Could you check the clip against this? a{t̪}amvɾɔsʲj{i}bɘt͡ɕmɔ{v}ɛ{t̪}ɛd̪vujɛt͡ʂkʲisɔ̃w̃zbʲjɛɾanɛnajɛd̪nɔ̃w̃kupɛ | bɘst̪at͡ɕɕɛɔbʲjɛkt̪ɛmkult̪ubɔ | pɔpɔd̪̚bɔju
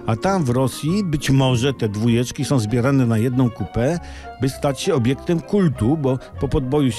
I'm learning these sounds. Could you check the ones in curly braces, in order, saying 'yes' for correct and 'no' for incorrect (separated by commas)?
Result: yes, yes, no, yes